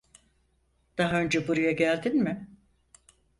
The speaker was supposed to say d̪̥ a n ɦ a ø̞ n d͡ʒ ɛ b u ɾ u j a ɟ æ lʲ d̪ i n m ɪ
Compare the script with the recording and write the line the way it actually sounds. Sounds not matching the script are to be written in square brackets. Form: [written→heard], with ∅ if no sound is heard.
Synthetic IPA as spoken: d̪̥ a [n→∅] ɦ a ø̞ n d͡ʒ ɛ b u ɾ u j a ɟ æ lʲ d̪ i n m ɪ